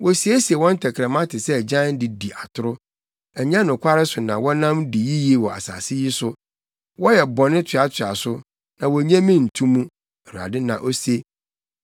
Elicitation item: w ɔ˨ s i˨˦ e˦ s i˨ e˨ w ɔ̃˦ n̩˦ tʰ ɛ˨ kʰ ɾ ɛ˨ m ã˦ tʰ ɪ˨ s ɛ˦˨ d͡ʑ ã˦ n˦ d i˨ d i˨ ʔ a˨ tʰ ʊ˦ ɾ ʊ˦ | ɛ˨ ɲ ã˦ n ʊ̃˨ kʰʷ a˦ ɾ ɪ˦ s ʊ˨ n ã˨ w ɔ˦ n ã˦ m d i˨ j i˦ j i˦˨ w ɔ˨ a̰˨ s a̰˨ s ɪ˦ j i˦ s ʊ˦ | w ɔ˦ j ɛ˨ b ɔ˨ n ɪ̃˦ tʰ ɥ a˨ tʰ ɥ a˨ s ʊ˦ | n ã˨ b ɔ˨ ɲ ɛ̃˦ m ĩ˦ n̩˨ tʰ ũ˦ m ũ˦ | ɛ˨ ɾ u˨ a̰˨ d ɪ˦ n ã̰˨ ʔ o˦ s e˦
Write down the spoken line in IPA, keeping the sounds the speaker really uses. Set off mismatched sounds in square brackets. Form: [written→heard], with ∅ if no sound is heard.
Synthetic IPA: w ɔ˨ s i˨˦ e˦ s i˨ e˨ w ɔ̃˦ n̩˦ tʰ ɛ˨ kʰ ɾ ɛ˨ m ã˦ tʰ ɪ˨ s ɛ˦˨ d͡ʑ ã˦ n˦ d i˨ d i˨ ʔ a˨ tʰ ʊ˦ ɾ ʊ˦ | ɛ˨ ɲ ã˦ n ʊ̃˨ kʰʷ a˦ ɾ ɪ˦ s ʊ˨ n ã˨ w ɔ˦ n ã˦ m d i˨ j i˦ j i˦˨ w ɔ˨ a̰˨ s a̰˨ s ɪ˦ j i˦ s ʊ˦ | w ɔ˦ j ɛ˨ b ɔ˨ n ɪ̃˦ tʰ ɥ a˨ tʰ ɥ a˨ s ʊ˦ | n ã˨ [b→w] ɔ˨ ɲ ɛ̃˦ m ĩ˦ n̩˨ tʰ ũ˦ m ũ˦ | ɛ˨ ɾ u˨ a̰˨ d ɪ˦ n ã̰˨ ʔ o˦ s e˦